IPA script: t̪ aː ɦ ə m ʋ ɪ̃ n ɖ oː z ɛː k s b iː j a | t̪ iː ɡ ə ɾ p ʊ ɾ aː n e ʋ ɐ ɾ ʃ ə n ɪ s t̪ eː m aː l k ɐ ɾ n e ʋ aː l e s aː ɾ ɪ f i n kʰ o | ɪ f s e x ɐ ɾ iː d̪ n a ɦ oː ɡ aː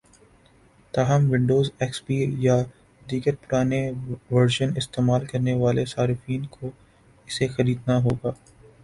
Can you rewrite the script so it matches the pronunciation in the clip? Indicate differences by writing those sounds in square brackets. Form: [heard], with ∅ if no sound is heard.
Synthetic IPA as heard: t̪ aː ɦ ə m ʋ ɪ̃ [ɳ] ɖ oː z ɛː k s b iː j a | [d̪] iː ɡ ə ɾ p ʊ ɾ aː n e ʋ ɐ ɾ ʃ ə n ɪ s t̪ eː m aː l k ɐ ɾ n e ʋ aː l e s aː ɾ ɪ f [iː] n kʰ o | ɪ [∅] s e x ɐ ɾ iː d̪ n a ɦ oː ɡ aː